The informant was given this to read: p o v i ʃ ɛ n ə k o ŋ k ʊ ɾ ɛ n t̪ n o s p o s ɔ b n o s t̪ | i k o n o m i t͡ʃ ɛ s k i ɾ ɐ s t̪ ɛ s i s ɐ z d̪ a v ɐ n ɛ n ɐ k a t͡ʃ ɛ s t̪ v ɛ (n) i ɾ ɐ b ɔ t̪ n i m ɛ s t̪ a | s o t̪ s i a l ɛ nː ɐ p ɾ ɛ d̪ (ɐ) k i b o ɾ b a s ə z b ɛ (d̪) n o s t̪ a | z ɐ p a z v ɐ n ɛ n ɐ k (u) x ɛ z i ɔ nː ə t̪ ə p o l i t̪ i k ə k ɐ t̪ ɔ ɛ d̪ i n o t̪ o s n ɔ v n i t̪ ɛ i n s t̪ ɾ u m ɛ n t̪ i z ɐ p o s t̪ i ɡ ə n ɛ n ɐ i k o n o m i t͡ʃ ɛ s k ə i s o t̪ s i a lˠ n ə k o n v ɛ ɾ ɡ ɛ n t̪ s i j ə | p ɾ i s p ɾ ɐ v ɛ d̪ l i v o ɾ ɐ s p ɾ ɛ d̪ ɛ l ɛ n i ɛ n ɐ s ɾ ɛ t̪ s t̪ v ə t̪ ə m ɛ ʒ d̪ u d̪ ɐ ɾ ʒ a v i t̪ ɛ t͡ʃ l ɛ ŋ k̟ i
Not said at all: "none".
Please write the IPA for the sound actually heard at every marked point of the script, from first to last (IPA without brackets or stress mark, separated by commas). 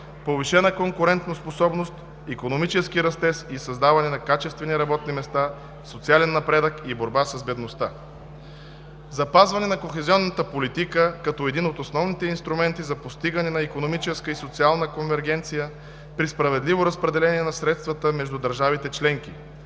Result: n, ə, d̪, o